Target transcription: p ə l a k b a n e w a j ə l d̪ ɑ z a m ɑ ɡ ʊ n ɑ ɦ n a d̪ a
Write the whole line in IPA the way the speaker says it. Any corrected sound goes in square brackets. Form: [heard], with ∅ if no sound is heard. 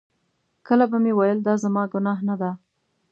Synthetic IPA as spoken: [k] ə l a [∅] b a [m] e w a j ə l d̪ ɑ z a m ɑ ɡ ʊ n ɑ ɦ n a d̪ a